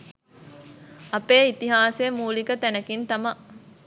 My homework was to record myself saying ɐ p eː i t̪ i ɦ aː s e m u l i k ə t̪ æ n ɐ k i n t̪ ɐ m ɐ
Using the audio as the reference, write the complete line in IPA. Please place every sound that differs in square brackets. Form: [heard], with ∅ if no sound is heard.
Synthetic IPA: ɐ p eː i t̪ i ɦ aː s e m [uː] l i k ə t̪ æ n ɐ k i n t̪ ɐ m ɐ